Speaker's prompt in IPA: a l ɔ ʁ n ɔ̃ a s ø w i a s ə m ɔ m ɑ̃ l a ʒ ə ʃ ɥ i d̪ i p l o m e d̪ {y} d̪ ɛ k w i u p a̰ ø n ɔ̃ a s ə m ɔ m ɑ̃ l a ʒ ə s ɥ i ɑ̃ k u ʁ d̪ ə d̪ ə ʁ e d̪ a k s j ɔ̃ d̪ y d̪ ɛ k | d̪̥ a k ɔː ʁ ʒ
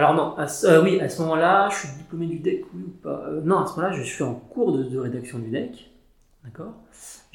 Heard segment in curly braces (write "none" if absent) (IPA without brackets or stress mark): y